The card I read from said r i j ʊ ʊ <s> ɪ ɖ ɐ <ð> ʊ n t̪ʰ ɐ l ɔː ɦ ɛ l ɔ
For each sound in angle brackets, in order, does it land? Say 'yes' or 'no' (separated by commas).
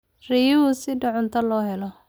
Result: yes, no